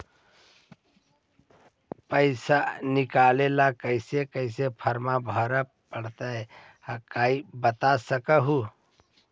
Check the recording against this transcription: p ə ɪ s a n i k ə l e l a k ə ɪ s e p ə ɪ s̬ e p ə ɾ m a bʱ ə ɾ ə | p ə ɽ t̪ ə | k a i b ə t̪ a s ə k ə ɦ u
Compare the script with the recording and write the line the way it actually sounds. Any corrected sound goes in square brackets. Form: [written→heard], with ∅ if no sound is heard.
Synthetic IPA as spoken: p ə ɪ s a n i k [ə→a] l e l a k ə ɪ s e [p→k] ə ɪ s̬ e [p→pʰ] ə ɾ m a bʱ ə ɾ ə | p ə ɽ t̪ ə | k a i b ə t̪ a s ə k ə ɦ u